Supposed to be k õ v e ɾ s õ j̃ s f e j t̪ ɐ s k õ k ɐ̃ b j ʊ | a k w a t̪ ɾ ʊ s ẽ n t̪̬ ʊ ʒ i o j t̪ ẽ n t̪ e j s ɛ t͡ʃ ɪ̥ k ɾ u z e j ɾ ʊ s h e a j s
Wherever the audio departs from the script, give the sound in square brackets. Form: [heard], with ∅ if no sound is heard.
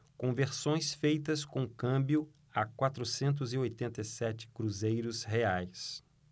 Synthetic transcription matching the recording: k õ v e ɾ s õ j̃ s f e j t̪ ɐ s k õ k ɐ̃ b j ʊ | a k w a t̪ ɾ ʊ s ẽ n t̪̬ ʊ [z] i o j t̪ ẽ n t̪ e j s ɛ t͡ʃ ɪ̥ k ɾ u z e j ɾ ʊ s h e a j s